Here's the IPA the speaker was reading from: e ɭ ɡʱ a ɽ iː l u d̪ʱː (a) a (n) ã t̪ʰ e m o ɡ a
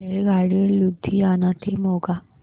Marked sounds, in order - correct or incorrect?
incorrect: i, correct

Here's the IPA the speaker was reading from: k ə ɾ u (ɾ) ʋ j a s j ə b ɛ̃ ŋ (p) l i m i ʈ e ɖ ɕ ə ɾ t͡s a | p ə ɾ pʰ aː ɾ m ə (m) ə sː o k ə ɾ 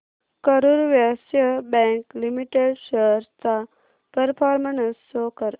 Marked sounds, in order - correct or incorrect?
correct, incorrect: k, incorrect: n

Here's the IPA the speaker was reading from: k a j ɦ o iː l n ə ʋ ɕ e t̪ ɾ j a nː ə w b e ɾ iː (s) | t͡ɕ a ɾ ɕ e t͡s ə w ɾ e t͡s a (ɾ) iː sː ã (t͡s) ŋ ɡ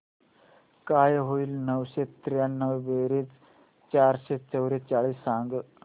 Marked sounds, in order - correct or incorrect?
incorrect: t͡s, incorrect: ɭ, incorrect: none

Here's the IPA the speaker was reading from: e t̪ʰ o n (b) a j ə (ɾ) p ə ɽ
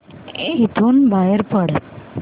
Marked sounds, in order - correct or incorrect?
correct, correct

